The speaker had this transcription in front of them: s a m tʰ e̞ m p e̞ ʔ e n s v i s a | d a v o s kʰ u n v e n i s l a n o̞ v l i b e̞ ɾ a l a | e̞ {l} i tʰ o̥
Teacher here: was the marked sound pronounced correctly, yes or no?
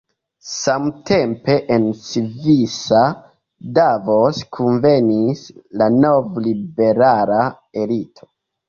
yes